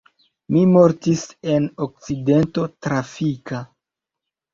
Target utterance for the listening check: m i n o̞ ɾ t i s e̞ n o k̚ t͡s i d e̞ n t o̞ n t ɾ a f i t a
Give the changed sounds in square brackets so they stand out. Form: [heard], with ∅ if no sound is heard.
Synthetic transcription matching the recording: m i [m] o̞ ɾ t i s e̞ n o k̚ t͡s i d e̞ n t o̞ [∅] t ɾ a f i [k] a

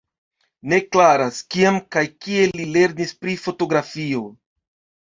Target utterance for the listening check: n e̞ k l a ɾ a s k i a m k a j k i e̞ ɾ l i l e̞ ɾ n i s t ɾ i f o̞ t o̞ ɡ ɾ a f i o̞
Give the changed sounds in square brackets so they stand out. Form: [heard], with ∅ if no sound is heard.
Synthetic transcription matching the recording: n e̞ k l a ɾ a s k i a m k a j k i e̞ [∅] l i l e̞ ɾ n i s [p] ɾ i f o̞ t o̞ ɡ ɾ a f i o̞

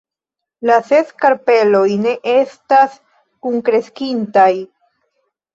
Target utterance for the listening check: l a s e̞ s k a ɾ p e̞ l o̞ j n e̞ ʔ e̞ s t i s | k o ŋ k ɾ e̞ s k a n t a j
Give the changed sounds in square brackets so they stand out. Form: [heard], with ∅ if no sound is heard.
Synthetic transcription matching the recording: l a s e̞ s k a ɾ p e̞ l o̞ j n e̞ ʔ e̞ s t [a] s | k [u] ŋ k ɾ e̞ s k [i] n t a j

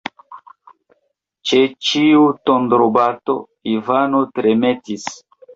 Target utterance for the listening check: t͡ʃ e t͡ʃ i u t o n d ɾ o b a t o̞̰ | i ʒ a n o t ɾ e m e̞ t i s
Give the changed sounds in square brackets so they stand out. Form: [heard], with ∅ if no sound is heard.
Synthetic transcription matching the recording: t͡ʃ e t͡ʃ i u t o n d ɾ o b a t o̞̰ | i [v] a n o t ɾ e m e̞ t i s

